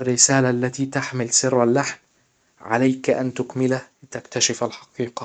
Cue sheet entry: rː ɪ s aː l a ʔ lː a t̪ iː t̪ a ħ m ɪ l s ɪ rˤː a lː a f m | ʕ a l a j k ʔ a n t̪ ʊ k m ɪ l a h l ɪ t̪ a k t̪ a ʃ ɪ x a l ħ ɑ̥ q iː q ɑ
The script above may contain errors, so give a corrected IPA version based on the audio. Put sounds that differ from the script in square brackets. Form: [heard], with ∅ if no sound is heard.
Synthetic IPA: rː ɪ s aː l a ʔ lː a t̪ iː t̪ a ħ m ɪ l s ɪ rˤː a lː a [ħ] m | ʕ a l a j k ʔ a n t̪ ʊ k m ɪ l a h l ɪ t̪ a k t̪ a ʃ ɪ [f] a l ħ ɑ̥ q iː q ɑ